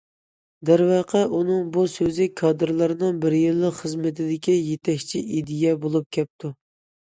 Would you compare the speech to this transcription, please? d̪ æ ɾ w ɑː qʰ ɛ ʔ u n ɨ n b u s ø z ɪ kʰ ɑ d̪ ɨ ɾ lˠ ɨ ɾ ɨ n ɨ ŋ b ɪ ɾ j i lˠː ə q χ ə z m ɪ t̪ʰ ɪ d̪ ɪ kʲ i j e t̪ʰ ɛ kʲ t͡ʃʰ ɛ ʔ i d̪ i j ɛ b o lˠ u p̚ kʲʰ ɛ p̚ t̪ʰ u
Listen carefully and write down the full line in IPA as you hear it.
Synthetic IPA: d̪ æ ɾ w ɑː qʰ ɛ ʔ u n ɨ ŋ b u s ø z ɪ kʰ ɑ d̪ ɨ ɾ lˠ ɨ ɾ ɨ n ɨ ŋ b ɪ ɾ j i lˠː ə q χ ə z m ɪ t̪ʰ ɪ d̪ ɪ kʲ i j e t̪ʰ ɛ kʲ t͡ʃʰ i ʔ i d̪ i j ɛ b o lˠ u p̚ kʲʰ ɛ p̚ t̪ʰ u